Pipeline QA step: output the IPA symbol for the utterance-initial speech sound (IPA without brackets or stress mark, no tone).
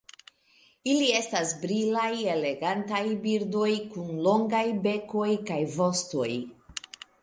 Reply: i